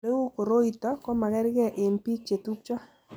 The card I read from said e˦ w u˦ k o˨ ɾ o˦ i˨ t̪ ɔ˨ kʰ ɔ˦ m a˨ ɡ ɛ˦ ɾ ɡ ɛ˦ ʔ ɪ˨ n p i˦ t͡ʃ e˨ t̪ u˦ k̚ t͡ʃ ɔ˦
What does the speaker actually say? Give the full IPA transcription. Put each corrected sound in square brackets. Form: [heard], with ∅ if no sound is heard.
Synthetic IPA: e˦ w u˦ k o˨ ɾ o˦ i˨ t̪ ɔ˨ [k] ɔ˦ m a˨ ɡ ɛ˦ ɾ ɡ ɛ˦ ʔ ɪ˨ n p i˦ t͡ʃ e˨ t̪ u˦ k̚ t͡ʃ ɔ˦

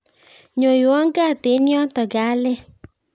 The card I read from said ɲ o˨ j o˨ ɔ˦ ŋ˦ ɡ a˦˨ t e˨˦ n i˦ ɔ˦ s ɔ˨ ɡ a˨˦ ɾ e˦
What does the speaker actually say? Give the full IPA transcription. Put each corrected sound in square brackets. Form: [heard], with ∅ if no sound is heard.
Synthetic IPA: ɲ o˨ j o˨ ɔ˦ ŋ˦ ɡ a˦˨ t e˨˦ n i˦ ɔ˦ [t] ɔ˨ ɡ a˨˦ [l] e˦

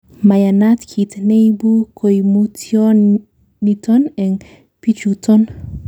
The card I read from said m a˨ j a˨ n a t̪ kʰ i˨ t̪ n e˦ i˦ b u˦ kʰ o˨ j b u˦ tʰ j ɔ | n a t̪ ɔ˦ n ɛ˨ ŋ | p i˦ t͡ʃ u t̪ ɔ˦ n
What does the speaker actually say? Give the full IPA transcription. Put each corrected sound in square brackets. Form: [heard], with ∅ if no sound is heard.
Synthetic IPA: m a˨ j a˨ n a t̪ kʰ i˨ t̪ n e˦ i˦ b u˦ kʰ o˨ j [m] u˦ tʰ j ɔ | n [i] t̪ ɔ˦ n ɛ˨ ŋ | p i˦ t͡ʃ u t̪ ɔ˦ n

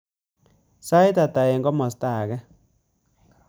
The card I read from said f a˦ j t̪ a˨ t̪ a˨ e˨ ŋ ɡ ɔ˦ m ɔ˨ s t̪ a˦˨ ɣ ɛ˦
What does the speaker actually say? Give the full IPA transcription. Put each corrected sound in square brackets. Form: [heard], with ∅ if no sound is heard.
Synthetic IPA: [s] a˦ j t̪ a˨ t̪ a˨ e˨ ŋ ɡ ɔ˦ m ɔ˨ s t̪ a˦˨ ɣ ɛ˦

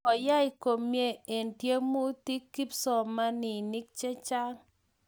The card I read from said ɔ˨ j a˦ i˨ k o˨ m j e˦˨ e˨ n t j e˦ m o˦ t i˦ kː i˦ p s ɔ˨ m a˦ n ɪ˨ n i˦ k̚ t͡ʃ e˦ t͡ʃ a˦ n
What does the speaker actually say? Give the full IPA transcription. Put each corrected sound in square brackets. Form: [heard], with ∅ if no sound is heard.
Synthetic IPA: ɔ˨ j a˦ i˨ k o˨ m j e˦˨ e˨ n t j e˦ m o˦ t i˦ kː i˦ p s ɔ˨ m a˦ n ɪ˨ n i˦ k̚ t͡ʃ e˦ t͡ʃ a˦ [ŋ]

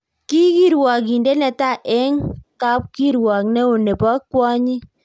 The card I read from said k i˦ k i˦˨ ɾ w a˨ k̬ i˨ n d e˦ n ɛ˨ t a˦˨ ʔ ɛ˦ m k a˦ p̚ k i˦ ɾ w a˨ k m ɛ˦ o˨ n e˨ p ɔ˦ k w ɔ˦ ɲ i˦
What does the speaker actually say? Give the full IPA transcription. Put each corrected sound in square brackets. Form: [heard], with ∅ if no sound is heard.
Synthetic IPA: k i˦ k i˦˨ ɾ w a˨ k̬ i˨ n d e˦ n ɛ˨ t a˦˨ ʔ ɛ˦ [ŋ] k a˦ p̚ k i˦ ɾ w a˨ k [n] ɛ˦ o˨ n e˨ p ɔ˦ k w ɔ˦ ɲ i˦

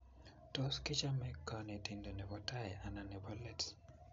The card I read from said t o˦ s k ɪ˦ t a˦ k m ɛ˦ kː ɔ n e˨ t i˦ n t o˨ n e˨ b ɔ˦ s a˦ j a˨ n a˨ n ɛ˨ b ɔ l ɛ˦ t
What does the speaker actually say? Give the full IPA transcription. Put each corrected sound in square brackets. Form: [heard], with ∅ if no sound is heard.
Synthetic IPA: t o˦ s k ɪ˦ [t͡ʃ] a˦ [∅] m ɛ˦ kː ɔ n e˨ t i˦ n [d] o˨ n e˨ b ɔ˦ [t] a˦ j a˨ n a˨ n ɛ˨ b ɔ l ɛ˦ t

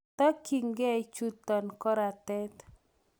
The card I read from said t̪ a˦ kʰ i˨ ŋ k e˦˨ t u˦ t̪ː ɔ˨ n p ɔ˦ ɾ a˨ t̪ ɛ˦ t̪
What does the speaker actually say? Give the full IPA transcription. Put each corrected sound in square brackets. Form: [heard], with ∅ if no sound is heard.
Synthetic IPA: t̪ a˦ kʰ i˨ ŋ [ɡ] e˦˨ [t͡ʃ] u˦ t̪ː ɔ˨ n [k] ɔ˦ ɾ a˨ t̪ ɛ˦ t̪

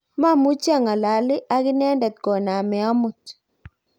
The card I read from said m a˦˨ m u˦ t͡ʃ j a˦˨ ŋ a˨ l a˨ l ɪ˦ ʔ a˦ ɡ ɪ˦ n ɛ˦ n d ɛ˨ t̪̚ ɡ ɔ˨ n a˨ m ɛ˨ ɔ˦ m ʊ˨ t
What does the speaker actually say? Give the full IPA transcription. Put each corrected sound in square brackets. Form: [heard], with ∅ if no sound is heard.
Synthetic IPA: m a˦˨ m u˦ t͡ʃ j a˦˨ ŋ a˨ l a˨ l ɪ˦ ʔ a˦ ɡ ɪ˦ n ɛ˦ n d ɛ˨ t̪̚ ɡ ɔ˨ n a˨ m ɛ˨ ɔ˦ m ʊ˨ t

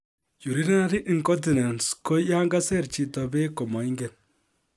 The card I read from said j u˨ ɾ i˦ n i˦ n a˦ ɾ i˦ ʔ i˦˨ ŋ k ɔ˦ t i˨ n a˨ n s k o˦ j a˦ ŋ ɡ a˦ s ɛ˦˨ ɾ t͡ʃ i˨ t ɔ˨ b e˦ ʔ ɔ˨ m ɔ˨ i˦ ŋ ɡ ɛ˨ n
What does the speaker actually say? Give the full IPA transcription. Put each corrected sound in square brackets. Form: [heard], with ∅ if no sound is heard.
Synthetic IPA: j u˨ ɾ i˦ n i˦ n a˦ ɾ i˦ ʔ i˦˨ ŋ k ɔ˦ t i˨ n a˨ n s k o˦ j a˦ ŋ ɡ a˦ s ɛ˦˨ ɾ t͡ʃ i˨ t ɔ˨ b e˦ [k] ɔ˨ m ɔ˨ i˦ ŋ ɡ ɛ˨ n

